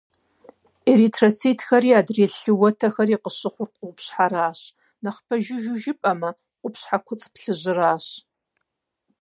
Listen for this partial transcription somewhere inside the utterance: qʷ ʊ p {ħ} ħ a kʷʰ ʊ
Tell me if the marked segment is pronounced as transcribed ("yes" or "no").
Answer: no